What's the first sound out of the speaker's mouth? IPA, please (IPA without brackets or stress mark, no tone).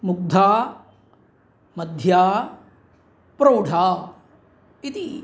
m